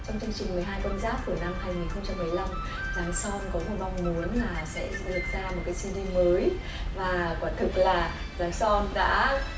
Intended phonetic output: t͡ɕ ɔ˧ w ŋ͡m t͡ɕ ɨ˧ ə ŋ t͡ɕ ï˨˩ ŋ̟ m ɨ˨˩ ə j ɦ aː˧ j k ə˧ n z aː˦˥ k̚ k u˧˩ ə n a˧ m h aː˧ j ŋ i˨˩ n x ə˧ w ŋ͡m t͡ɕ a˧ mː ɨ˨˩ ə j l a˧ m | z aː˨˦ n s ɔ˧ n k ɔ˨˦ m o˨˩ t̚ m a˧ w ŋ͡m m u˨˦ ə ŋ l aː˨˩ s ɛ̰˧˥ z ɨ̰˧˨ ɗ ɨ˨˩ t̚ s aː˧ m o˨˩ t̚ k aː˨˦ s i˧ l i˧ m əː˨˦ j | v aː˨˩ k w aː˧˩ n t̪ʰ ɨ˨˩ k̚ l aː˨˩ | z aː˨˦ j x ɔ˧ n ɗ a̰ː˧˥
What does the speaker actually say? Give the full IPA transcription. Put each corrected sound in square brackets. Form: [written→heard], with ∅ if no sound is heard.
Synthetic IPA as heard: t͡ɕ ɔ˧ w ŋ͡m t͡ɕ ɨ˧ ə ŋ t͡ɕ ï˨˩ ŋ̟ m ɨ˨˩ ə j ɦ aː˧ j k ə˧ n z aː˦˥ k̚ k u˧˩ ə n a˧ m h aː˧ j ŋ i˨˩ n x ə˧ w ŋ͡m t͡ɕ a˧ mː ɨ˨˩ ə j l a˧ m | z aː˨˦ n s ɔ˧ n k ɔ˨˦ m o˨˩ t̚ m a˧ w ŋ͡m m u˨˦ ə [ŋ→n] l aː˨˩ s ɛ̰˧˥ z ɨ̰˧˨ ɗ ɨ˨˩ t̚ [s→z] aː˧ m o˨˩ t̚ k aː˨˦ s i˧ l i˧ m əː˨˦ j | v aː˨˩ k w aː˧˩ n t̪ʰ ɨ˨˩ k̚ l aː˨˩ | z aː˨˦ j [x→s] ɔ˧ n ɗ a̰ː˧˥